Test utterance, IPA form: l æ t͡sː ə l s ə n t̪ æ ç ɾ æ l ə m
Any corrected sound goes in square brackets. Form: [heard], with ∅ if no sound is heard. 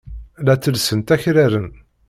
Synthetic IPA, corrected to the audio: l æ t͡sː ə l s ə n t̪ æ ç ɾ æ [ɾ] ə [n]